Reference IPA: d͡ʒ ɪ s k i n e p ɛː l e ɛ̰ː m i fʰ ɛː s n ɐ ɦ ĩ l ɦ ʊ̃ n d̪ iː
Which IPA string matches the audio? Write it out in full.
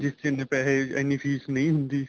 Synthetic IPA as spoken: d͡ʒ ɪ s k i n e p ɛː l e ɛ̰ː n i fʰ iː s n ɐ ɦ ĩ ɦ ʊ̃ n d̪ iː